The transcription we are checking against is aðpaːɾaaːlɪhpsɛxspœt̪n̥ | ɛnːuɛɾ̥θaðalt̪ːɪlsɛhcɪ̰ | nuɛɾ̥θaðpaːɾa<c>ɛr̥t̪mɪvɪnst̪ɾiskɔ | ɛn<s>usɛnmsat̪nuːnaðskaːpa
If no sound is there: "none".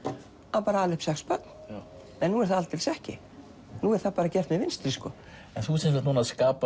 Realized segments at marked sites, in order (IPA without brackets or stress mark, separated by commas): c, θ